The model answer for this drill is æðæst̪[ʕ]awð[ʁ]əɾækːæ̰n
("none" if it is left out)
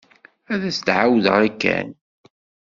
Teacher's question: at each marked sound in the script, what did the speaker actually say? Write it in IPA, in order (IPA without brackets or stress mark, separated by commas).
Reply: ʕ, ʁ